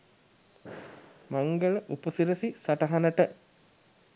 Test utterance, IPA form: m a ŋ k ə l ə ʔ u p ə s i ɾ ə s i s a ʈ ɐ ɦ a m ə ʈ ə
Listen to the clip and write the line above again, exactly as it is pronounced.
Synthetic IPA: m a ŋ ɡ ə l ə ʔ u p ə s i ɾ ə s i s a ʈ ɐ ɦ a n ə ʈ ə

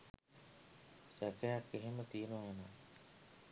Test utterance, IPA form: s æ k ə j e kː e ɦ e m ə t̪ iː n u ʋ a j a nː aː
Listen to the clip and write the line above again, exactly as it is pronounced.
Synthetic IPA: s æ k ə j a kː e ɦ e m ə t̪ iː n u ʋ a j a n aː

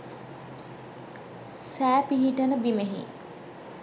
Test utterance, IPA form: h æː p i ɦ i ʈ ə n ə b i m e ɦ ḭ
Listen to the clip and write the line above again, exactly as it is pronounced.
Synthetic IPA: s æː p i ɦ i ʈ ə n ə b i m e ɦ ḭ

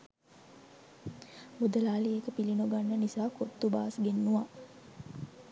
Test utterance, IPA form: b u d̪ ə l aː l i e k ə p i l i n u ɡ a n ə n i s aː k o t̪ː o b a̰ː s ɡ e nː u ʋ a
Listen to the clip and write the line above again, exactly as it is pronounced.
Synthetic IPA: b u d̪ ə l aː l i e k ə p i l i n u ɡ a nː ə n i s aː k o t̪ː u b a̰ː s ɡ e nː u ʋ a

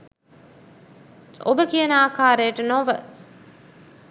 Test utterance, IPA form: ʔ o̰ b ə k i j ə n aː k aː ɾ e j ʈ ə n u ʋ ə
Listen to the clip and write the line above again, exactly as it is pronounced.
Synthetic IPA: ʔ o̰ b ə k i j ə n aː k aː ɾ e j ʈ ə n o ʋ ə

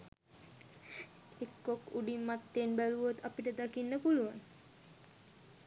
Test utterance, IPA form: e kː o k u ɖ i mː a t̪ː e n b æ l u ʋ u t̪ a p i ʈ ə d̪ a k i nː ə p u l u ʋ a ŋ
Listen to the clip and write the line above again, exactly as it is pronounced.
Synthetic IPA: e kː o k u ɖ i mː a t̪ː e n b æ l u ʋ o t̪ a p i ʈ ə d̪ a k i nː ə p u l u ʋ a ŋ

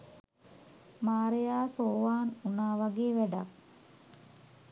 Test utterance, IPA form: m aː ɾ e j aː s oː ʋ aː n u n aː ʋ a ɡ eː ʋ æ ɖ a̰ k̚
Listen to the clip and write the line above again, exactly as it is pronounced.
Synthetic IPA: m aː ɾ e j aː s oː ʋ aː n u n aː ʋ a ɡ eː ʋ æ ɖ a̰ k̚

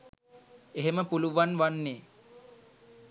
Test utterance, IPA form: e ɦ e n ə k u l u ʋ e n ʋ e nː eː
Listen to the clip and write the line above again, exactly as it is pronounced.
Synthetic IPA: e ɦ e m ə p u l u ʋ a n ʋ a nː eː

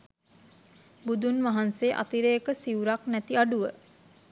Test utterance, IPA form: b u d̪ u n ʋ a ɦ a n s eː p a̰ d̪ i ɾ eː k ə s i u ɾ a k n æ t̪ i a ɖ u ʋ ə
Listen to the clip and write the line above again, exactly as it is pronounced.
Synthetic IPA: b u d̪ u n ʋ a ɦ a n s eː ʔ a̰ t̪ i ɾ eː k ə s i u ɾ a k n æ t̪ i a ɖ u ʋ ə

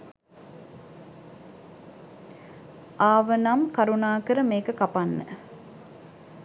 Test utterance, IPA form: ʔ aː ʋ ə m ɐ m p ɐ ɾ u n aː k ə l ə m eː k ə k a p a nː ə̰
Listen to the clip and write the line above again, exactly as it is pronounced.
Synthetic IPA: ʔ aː ʋ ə n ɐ m k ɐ ɾ u n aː k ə ɾ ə m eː k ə k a p a nː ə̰

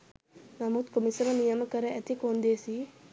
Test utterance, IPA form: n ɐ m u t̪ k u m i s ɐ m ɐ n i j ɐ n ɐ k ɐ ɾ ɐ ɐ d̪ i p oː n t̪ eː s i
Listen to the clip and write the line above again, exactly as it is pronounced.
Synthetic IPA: n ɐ m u t̪ k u m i s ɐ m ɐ n i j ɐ m ɐ k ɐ ɾ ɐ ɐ t̪ i k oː n d̪ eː s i

